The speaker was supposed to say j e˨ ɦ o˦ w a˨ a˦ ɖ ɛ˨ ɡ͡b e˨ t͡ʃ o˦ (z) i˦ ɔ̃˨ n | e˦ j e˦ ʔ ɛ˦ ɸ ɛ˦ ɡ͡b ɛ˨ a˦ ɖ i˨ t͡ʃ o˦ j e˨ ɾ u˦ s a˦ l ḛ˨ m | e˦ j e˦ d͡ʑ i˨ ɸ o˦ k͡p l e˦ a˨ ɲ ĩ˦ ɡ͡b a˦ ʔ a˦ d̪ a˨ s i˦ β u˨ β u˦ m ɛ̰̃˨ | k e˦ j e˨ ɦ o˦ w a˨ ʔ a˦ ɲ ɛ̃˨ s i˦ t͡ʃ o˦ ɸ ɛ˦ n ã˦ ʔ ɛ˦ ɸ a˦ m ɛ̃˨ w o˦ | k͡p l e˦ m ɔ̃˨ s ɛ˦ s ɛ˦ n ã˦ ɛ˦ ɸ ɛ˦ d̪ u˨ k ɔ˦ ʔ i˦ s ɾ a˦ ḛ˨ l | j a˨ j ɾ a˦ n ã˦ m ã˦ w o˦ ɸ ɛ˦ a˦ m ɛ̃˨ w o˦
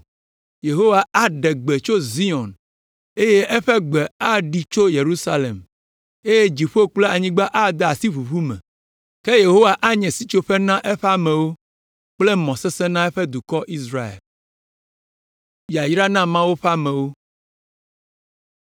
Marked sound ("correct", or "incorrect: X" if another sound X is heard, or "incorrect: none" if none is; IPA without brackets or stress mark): correct